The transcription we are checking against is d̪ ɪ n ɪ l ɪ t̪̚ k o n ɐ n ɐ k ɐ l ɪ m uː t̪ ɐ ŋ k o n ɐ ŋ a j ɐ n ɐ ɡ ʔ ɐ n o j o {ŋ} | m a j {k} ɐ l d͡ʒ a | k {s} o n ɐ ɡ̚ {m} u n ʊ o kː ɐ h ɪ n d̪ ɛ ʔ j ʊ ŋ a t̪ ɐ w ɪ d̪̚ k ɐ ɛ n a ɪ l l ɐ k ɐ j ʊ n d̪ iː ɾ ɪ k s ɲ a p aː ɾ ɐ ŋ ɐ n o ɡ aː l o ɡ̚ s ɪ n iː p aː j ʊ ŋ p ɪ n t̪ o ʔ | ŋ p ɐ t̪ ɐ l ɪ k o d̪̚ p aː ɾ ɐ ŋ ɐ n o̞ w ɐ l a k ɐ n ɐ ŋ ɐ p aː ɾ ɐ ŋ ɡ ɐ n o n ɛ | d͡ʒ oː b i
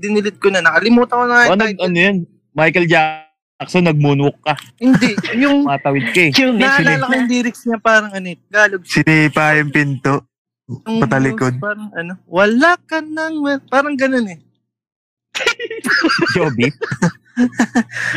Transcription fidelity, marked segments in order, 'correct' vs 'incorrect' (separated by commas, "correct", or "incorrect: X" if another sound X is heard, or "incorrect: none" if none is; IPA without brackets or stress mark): incorrect: n, correct, correct, correct